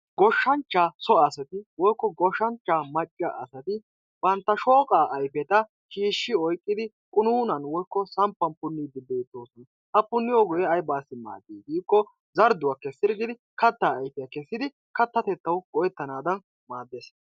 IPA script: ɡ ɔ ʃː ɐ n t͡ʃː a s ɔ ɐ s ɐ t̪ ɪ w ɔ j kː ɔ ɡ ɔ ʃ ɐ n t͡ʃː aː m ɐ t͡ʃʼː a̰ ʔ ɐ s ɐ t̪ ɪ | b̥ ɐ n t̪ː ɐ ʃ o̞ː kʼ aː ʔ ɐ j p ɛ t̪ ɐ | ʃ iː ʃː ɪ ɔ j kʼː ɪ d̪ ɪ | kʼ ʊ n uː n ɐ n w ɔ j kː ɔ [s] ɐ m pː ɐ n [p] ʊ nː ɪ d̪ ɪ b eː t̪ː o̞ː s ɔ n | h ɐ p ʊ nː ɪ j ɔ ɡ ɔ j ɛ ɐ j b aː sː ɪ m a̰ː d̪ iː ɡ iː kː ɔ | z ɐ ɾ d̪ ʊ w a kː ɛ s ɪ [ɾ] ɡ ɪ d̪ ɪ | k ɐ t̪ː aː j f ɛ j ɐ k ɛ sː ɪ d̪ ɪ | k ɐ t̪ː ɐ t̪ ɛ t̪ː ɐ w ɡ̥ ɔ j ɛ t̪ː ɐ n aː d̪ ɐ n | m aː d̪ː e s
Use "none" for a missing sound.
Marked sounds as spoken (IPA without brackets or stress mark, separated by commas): s, p, ɾ